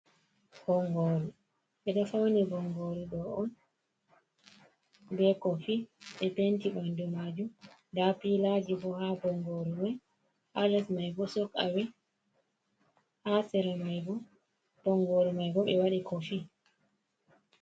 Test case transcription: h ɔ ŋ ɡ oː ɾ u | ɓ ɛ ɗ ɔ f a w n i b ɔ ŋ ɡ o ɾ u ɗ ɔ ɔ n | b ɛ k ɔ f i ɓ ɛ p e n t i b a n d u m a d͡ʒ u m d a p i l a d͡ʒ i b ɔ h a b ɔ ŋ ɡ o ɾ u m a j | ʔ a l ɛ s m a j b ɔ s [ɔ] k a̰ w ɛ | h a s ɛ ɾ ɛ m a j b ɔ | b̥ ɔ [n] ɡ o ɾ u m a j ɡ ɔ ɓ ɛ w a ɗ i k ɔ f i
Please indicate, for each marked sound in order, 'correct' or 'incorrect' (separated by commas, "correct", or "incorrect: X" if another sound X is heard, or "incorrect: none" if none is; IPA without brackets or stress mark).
correct, incorrect: ŋ